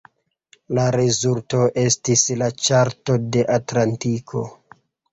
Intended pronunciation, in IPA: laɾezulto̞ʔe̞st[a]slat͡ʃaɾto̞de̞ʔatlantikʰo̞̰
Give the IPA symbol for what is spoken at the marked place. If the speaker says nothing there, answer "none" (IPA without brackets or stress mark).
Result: i